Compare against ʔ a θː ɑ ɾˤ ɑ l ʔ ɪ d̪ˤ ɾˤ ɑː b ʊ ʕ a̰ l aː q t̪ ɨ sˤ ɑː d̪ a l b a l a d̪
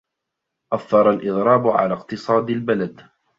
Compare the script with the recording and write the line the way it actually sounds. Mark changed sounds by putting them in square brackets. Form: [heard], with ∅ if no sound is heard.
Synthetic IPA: ʔ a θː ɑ ɾˤ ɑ l ʔ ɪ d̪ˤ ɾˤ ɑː b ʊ ʕ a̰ l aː q t̪ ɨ sˤ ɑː d̪ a l b a l a d̪

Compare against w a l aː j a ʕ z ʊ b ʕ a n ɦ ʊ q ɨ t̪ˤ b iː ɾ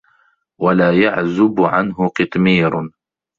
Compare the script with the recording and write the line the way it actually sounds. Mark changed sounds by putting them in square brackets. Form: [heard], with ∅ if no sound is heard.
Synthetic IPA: w a l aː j a ʕ z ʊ b ʕ a n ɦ ʊ q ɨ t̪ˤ [m] iː ɾ

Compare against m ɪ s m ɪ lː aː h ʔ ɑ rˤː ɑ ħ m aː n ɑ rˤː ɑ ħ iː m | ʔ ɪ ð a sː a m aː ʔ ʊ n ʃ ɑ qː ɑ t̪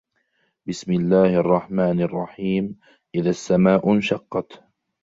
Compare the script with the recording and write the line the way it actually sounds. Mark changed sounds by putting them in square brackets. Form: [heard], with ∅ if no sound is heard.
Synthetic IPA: [b] ɪ s m ɪ lː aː h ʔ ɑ rˤː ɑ ħ m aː n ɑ rˤː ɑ ħ iː m | ʔ ɪ ð a sː a m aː ʔ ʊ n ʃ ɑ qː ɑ t̪

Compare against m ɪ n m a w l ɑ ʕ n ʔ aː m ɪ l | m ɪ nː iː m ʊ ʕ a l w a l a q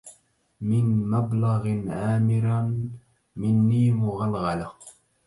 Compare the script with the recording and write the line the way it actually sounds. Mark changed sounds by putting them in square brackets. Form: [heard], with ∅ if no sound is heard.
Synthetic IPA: m ɪ n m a [b] l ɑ [ɣ] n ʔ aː m ɪ [ɾ] | m ɪ nː iː m ʊ [ɣ] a l [ɣ] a l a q

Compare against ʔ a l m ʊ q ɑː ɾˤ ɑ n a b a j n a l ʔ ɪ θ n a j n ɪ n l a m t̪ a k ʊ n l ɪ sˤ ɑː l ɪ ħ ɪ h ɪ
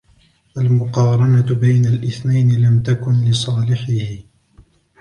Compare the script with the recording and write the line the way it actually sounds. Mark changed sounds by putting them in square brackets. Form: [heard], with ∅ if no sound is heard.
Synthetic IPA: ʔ a l m ʊ q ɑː ɾˤ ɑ n a b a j n a l ʔ ɪ θ n a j n ɪ [∅] l a m t̪ a k ʊ n l ɪ sˤ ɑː l ɪ ħ ɪ h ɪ

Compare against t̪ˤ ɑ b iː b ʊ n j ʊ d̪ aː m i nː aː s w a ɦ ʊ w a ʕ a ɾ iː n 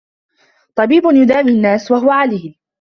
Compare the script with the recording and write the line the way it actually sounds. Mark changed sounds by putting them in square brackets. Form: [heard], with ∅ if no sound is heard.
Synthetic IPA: t̪ˤ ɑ b iː b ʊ n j ʊ d̪ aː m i nː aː s w a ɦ ʊ w a ʕ a [l] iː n

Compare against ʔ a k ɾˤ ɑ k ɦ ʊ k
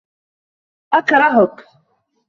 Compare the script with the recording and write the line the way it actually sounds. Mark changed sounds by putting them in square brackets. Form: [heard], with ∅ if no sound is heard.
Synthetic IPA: ʔ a k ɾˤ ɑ [∅] ɦ ʊ k

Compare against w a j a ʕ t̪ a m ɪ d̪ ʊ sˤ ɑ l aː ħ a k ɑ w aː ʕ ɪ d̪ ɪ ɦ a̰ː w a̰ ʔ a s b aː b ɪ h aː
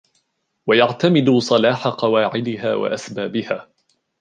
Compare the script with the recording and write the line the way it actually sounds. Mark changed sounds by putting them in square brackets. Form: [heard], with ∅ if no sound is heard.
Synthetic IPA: w a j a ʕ t̪ a m ɪ d̪ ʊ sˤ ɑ l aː ħ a [q] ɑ w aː ʕ ɪ d̪ ɪ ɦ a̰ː w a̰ ʔ a s b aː b ɪ h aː

